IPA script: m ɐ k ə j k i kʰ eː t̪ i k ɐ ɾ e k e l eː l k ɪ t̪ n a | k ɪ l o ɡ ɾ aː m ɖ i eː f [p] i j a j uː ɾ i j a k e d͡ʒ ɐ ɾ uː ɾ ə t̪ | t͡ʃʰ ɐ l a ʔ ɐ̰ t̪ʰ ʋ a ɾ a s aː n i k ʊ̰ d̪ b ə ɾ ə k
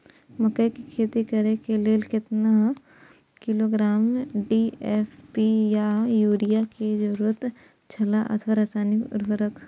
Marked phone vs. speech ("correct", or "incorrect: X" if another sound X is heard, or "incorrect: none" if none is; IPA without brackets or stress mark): correct